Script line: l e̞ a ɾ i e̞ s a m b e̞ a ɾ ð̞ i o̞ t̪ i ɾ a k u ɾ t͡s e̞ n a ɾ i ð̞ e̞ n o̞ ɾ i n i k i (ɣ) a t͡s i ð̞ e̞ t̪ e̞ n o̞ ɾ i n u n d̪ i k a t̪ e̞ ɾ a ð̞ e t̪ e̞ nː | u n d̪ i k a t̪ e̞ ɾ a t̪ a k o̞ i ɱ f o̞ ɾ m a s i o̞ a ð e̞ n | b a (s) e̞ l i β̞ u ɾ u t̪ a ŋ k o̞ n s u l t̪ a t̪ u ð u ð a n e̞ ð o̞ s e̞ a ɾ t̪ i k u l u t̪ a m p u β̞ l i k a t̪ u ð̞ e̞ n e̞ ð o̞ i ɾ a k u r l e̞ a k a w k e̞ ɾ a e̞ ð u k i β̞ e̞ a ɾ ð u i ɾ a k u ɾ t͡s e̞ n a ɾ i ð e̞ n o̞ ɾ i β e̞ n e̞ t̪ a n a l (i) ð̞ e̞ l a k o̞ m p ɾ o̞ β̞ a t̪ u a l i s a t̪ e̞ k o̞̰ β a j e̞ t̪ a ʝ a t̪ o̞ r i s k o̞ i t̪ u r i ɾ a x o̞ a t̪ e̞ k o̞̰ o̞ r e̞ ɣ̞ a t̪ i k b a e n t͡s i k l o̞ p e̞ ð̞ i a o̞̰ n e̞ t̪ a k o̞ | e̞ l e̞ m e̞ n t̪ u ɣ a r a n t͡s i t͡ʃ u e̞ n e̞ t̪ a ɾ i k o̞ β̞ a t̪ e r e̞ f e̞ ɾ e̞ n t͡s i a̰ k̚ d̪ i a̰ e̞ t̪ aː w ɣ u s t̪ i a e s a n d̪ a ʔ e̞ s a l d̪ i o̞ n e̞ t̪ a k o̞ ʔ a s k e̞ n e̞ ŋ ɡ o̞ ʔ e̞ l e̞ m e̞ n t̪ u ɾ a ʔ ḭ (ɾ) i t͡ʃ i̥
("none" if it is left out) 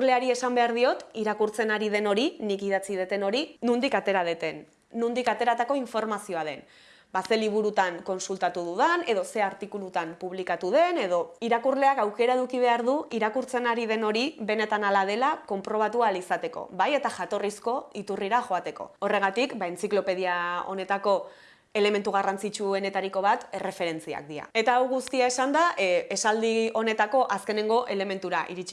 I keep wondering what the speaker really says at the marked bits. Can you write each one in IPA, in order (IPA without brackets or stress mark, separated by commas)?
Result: ð, s, a, ɾ